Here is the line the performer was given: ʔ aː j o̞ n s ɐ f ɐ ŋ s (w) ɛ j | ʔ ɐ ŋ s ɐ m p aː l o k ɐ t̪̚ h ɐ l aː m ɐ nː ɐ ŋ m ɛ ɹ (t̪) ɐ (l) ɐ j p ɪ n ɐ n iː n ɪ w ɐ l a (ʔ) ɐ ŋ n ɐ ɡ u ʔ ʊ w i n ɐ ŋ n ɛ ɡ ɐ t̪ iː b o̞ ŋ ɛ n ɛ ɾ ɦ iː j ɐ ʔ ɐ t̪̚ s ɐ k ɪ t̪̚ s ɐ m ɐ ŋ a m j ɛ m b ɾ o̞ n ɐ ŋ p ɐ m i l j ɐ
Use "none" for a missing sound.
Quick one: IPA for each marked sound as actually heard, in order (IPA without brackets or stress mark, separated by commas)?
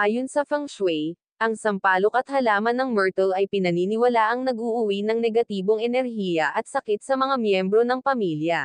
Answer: w, t̪, l, ʔ